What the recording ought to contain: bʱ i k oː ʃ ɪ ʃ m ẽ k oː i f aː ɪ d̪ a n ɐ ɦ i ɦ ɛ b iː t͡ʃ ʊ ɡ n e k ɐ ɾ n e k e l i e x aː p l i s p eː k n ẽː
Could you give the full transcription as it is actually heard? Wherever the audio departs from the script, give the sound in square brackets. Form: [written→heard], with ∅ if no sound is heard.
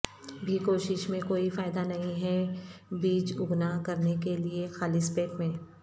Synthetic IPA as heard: bʱ i k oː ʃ ɪ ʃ m ẽ k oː i f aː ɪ d̪ a n ɐ ɦ [i→ĩ] ɦ ɛ b iː t͡ʃ ʊ ɡ n [e→a] k ɐ ɾ n e k e l i e x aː [p→∅] l i s p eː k [n→m] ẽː